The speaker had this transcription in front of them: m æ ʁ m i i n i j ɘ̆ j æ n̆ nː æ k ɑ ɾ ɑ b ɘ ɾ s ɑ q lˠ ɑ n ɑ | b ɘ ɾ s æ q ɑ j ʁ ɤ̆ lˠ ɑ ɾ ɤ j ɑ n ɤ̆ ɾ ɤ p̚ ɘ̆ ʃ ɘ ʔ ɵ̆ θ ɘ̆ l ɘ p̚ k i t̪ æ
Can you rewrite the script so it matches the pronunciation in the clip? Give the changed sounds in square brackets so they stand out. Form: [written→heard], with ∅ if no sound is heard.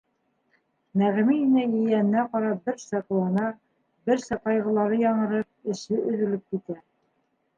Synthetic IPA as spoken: m æ ʁ m i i n [i→æ] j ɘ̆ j æ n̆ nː æ [k→q] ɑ ɾ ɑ b ɘ ɾ s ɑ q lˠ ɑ n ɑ | b ɘ ɾ s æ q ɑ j ʁ ɤ̆ lˠ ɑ ɾ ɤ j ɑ [n→ɴ] ɤ̆ ɾ ɤ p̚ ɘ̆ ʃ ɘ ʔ ɵ̆ [θ→ð] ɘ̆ l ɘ p̚ k i t̪ æ